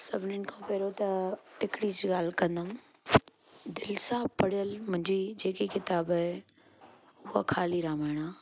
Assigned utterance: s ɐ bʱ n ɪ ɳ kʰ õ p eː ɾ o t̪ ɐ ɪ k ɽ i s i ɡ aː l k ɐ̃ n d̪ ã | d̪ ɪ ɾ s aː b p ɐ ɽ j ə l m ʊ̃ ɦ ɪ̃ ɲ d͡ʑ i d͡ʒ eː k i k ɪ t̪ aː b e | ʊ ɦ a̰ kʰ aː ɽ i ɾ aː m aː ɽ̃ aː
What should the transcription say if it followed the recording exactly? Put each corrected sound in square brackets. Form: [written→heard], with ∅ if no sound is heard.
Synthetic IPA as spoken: s ɐ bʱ n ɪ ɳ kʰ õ p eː ɾ o t̪ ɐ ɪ k ɽ i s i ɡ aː l k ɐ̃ n d̪ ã | d̪ ɪ [ɾ→l] s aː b p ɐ ɽ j ə l m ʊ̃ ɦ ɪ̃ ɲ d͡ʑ i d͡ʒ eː k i k ɪ t̪ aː b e | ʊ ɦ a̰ kʰ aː [ɽ→l] i ɾ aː m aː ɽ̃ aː